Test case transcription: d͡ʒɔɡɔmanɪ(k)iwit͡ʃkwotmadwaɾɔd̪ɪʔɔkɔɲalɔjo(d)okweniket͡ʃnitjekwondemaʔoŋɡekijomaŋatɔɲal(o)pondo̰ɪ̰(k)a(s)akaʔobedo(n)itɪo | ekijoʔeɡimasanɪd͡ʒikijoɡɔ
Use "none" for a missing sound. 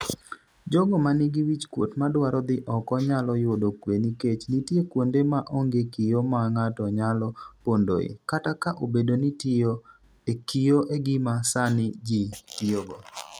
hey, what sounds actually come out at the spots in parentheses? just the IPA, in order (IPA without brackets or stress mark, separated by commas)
ɡ, d, ɔ, k, t, n